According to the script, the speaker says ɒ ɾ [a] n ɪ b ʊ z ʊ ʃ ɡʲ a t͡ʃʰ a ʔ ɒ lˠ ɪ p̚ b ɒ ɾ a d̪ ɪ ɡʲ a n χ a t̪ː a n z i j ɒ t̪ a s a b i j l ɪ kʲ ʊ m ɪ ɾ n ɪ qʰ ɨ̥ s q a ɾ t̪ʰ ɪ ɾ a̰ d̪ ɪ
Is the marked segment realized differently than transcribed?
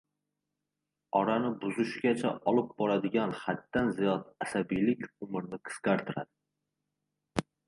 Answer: no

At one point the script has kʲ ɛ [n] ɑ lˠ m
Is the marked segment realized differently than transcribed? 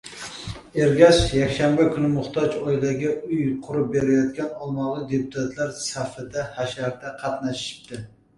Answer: no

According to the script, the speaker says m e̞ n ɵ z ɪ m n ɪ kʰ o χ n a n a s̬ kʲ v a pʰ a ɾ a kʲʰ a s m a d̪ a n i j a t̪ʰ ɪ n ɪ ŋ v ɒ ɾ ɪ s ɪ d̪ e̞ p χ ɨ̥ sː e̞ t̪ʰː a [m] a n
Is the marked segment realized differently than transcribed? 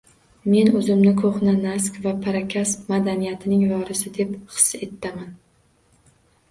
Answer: no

